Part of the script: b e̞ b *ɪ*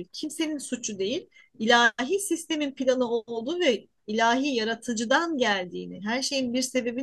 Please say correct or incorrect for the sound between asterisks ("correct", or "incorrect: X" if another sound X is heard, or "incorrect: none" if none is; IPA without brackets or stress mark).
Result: incorrect: i